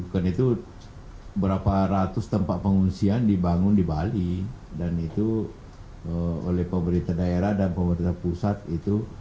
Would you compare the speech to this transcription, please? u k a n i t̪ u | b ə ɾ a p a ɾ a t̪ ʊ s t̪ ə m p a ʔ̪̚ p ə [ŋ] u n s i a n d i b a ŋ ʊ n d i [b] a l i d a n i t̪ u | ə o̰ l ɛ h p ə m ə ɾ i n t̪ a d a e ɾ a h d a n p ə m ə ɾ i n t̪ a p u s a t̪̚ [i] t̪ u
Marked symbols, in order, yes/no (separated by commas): yes, yes, yes